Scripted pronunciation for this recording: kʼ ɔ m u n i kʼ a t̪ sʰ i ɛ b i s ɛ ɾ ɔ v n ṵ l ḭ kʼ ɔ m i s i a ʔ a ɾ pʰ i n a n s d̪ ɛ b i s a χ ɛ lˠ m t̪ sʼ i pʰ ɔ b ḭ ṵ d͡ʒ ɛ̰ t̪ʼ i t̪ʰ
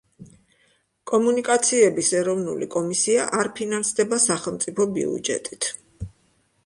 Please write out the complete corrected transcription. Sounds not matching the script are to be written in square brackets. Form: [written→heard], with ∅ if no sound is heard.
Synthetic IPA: kʼ ɔ m u n i kʼ a t̪ sʰ i ɛ b i s ɛ ɾ ɔ v n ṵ l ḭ kʼ ɔ m i s i a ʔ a ɾ pʰ i n a n s d̪ ɛ b [i→a] s a χ ɛ lˠ m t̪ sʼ i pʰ ɔ b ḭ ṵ d͡ʒ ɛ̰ t̪ʼ i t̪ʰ